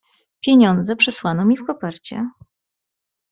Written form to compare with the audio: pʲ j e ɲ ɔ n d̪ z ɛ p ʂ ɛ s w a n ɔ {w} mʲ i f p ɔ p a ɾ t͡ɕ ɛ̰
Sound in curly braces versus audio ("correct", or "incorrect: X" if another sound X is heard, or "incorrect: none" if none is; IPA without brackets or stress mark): incorrect: none